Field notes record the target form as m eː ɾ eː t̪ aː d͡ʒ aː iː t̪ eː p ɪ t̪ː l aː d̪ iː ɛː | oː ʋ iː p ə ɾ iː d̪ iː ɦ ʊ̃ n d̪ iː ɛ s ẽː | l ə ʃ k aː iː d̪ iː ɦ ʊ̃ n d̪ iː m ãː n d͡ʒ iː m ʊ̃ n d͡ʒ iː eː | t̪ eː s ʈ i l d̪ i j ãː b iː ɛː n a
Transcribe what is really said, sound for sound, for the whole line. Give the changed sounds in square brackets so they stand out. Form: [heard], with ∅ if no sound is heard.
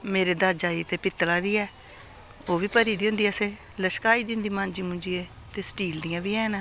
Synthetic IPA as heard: m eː ɾ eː [d̪] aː d͡ʒ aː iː t̪ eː p ɪ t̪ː l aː d̪ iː ɛː | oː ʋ iː p ə ɾ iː d̪ iː ɦ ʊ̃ n d̪ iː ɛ s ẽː | l ə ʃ k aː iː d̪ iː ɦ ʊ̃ n d̪ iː m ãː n d͡ʒ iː m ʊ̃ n d͡ʒ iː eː | t̪ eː s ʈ [iː] l d̪ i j ãː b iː ɛː n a